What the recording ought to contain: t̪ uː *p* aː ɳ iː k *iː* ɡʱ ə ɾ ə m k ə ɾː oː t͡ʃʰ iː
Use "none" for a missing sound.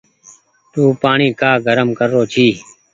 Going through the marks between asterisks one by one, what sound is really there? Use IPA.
p, aː

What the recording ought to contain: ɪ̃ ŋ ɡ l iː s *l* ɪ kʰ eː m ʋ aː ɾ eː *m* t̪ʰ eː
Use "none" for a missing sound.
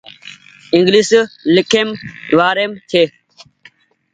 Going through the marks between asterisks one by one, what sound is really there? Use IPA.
l, m

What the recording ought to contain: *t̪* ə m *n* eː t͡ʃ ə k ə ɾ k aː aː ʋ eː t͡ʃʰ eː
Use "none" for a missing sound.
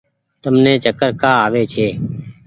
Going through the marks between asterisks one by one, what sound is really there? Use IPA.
t̪, n

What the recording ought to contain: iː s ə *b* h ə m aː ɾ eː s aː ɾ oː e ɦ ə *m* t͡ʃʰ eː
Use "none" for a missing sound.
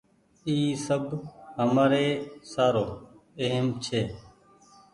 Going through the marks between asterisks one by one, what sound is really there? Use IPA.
b, m

